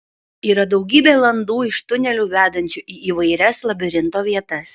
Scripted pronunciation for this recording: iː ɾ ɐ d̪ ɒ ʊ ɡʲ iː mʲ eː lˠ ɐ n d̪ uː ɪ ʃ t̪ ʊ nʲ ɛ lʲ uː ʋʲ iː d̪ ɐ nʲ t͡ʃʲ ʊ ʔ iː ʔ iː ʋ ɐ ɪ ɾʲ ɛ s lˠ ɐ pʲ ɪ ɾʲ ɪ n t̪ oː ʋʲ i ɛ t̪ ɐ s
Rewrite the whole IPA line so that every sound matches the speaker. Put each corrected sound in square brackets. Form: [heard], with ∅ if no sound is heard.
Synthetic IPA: iː ɾ ɐ d̪ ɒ ʊ ɡʲ iː [bʲ] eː lˠ ɐ n d̪ uː ɪ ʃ t̪ ʊ nʲ ɛ lʲ uː ʋʲ [æː] d̪ ɐ nʲ t͡ʃʲ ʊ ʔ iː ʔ iː ʋ ɐ ɪ ɾʲ ɛ s lˠ ɐ [bʲ] ɪ ɾʲ ɪ n t̪ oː ʋʲ i ɛ t̪ ɐ s